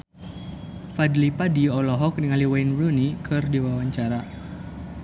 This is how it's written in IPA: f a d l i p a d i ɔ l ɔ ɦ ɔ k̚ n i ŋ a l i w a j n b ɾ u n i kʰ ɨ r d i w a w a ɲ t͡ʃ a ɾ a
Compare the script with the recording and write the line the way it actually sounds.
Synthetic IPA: f a d l i p a d i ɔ l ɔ ɦ ɔ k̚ n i ŋ a l i w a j n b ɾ u n i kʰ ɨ r d i w a w a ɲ t͡ʃ a ɾ a